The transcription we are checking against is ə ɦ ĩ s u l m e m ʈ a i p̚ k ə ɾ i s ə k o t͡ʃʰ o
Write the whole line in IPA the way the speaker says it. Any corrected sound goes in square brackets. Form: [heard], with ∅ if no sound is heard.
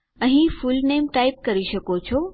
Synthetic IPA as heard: ə ɦ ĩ [f] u l [n] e m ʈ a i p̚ k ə ɾ i [ʃ] ə k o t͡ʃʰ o